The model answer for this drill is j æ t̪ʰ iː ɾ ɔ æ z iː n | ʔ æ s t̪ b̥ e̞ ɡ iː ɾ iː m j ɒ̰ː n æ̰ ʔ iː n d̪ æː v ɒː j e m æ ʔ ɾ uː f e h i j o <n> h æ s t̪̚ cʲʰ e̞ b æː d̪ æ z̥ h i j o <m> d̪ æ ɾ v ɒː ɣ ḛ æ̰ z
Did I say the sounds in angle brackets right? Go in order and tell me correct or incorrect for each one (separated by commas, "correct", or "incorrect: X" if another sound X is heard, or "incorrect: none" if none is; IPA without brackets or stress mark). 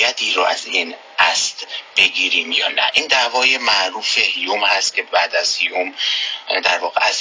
incorrect: m, correct